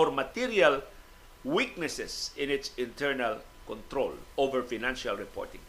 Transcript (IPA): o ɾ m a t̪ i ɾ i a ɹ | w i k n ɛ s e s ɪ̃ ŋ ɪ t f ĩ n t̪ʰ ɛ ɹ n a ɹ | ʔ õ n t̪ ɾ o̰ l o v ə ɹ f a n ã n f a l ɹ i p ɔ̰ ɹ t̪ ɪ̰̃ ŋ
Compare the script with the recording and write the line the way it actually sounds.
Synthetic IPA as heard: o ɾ m a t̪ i ɾ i a l | w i k n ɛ s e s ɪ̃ n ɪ t s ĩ n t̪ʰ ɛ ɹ n a l | k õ n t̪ ɾ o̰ l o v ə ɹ f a n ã n ʃ a l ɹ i p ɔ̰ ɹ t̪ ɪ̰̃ ŋ